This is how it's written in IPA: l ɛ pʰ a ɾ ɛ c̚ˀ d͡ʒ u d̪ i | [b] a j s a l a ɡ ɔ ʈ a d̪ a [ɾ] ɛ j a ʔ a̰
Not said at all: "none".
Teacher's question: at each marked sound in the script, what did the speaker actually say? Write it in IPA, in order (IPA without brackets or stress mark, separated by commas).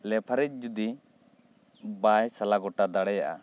b, ɽ